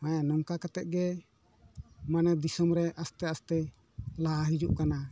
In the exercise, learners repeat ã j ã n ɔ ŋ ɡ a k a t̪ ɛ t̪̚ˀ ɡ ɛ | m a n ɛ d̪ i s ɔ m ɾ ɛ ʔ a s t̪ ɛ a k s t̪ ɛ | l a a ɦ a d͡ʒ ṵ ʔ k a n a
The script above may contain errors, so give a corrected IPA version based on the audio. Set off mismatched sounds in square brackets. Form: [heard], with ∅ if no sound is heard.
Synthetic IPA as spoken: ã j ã n ɔ ŋ [k] a k a t̪ ɛ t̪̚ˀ ɡ ɛ | m a n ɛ d̪ i s ɔ m ɾ ɛ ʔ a s t̪ ɛ a [∅] s t̪ ɛ | l a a ɦ [i] d͡ʒ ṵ ʔ k a n a